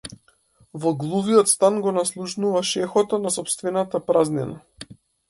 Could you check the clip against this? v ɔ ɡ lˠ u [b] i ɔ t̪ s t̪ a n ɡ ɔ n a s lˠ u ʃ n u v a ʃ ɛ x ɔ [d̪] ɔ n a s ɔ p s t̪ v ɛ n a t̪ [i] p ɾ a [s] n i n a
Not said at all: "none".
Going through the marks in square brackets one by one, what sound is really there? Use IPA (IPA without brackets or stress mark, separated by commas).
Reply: v, t̪, a, z